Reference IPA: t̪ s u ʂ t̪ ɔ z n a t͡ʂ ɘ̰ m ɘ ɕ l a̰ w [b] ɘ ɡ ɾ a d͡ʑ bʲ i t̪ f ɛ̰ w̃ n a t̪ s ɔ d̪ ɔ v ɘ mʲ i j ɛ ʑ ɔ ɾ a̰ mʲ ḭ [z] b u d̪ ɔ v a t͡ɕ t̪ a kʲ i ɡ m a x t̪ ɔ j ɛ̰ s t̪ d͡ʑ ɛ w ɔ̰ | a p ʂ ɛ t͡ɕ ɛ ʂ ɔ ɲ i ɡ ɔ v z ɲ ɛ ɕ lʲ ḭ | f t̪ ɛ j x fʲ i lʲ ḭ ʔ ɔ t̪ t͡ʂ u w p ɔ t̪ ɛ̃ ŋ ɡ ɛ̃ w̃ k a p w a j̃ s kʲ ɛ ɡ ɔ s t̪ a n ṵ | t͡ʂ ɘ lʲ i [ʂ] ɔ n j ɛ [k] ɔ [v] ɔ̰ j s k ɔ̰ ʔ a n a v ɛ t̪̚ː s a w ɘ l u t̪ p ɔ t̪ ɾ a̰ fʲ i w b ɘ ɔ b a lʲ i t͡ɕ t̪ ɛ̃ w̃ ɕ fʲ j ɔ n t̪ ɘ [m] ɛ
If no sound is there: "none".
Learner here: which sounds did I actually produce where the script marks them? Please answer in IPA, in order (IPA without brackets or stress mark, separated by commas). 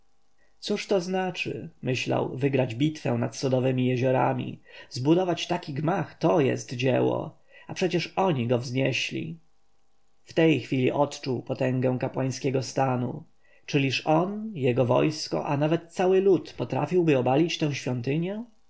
v, z, ʂ, ɡ, v, ɲ